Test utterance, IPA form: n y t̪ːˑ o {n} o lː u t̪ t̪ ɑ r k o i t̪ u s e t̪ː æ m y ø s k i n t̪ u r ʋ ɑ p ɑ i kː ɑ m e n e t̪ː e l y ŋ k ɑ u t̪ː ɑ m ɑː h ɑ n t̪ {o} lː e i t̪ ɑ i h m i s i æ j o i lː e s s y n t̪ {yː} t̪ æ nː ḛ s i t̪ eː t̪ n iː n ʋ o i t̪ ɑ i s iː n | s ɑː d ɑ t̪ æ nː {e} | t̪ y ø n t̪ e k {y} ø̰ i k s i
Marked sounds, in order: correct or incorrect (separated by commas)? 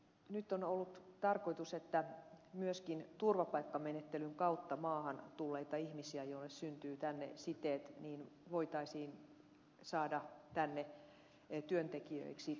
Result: correct, incorrect, correct, correct, incorrect